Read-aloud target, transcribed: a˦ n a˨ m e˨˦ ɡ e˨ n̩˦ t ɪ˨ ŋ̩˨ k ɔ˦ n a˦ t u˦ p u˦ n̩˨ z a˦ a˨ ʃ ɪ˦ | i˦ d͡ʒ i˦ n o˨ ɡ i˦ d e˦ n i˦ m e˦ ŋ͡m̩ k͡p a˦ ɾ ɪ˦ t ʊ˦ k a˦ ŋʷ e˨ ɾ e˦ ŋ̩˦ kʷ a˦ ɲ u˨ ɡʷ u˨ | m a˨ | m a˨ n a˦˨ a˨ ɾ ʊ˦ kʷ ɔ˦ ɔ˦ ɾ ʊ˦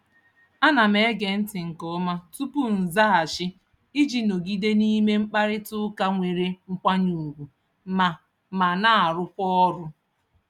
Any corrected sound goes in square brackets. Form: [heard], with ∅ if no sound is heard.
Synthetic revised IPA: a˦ n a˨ m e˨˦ ɡ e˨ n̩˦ t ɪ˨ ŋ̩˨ k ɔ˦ [m] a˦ t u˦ p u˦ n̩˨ z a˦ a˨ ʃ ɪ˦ | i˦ d͡ʒ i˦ n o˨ ɡ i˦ d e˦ n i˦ m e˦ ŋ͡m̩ k͡p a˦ ɾ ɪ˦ t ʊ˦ k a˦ ŋʷ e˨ ɾ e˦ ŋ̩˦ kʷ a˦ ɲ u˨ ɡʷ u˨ | m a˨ | m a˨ n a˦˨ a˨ ɾ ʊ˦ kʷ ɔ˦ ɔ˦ ɾ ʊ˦